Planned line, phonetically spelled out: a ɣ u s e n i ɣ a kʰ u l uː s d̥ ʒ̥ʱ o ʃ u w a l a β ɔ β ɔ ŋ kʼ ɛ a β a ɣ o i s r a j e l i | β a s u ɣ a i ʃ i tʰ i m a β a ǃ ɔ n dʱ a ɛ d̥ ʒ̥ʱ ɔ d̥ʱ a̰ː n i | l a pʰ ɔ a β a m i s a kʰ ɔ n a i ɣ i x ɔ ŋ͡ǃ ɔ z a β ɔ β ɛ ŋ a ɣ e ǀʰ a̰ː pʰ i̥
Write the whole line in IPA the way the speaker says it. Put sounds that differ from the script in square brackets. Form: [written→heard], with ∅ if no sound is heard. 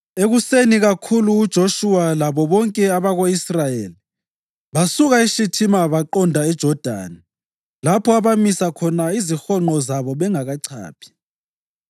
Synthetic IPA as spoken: [a→e] ɣ u s e n i ɣ a kʰ u l uː [s→∅] d̥ ʒ̥ʱ o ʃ u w a l a β ɔ β ɔ ŋ kʼ ɛ a β a ɣ o i s r a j e l i | β a s u ɣ a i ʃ i tʰ i m a β a ǃ ɔ n dʱ a ɛ d̥ ʒ̥ʱ ɔ d̥ʱ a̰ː n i | l a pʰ ɔ a β a m i s a kʰ ɔ n a i [ɣ→z] i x ɔ ŋ͡ǃ ɔ z a β ɔ β ɛ ŋ a ɣ [e→a] ǀʰ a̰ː pʰ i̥

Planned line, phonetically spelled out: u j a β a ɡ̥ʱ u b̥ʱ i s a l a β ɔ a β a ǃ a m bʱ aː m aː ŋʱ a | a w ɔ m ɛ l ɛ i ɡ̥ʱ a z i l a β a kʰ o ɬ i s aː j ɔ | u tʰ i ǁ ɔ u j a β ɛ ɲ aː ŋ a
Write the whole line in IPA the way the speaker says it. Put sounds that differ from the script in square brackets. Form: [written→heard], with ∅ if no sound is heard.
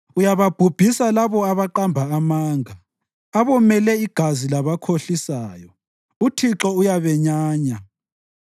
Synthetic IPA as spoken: u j a β a [ɡ̥ʱ→b̥ʱ] u b̥ʱ i s a l a β ɔ a β a ǃ a m bʱ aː m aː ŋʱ a | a [w→β] ɔ m ɛ l ɛ i ɡ̥ʱ a z i l a β a kʰ o ɬ i s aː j ɔ | u tʰ i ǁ ɔ u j a β ɛ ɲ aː [ŋ→ɲ] a

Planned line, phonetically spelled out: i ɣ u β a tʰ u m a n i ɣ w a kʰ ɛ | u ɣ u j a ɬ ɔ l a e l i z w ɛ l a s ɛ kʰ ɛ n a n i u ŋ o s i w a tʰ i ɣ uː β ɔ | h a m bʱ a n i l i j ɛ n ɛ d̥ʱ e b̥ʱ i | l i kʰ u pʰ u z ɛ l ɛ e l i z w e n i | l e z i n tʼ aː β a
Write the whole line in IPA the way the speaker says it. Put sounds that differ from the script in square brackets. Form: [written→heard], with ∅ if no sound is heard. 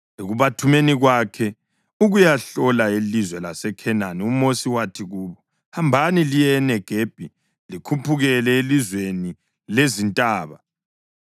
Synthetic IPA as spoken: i ɣ u β a tʰ u m [a→e] n i ɣ w a kʰ ɛ | u ɣ u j a ɬ ɔ l a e l i z w ɛ l a s ɛ kʰ ɛ n a n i u [ŋ→m] o s i w a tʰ i ɣ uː β ɔ | h a m bʱ a n i l i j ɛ n ɛ [d̥ʱ→ɡ̥ʱ] e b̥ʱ i | l i kʰ u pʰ u [z→ɣ] ɛ l ɛ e l i z w e n i | l e z i n tʼ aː β a

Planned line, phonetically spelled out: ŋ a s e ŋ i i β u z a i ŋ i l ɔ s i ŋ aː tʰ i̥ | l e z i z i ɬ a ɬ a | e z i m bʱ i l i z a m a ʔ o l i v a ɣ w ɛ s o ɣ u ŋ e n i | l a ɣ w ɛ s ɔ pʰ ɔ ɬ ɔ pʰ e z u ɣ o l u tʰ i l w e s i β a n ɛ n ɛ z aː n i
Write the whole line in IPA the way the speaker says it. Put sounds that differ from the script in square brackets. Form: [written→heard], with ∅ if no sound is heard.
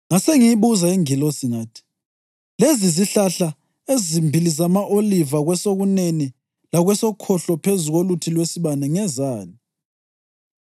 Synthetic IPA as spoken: ŋ a s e ŋ i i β u z a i ŋ i l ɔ s i ŋ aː tʰ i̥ | l e z i z i ɬ a ɬ a | e z i m bʱ i l i z a m a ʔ o l i v a ɣ w ɛ s o ɣ u [ŋ→n] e n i | l a ɣ w ɛ s ɔ [pʰ→kʰ] ɔ ɬ ɔ pʰ e z u ɣ o l u tʰ i l w e s i β a n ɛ [n→ŋ] ɛ z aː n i

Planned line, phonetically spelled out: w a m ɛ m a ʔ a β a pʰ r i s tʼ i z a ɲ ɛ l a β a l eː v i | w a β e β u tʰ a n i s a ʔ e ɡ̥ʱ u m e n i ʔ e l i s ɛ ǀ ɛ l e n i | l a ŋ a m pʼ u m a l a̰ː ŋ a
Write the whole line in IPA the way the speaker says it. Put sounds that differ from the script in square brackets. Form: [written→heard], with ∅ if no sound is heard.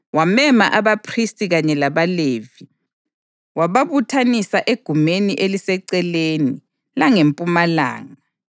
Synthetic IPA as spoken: w a m ɛ m a ʔ a β a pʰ r i s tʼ i [z→ɣ] a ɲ ɛ l a β a l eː v i | w a β [e→a] β u tʰ a n i s a ʔ e ɡ̥ʱ u m e n i ʔ e l i s ɛ ǀ ɛ l e n i | l a ŋ [a→e] m pʼ u m a l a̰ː ŋ a

